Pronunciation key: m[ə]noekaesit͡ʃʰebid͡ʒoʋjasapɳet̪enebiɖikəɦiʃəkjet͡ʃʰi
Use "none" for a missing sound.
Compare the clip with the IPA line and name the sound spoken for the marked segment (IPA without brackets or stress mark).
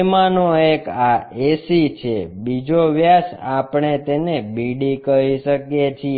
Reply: a